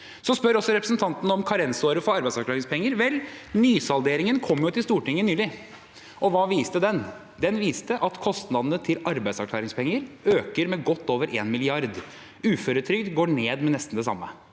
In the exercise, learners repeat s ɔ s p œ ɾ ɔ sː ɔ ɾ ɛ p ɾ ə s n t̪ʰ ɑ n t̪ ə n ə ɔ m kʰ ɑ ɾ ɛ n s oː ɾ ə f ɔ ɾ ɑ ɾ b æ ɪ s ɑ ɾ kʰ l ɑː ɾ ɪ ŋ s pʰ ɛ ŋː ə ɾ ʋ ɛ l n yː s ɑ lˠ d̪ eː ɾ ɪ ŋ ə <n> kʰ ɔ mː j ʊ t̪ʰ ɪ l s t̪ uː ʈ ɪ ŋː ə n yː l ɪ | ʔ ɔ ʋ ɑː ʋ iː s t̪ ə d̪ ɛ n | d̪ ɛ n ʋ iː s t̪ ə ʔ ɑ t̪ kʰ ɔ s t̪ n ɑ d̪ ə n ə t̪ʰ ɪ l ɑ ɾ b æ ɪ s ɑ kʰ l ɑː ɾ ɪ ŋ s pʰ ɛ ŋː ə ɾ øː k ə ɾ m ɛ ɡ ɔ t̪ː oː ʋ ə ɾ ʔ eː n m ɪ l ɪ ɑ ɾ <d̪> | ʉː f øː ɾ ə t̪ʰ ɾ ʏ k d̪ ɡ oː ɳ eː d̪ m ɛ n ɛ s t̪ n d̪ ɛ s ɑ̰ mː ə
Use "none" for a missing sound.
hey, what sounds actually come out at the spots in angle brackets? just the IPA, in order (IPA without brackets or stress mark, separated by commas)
n, d̪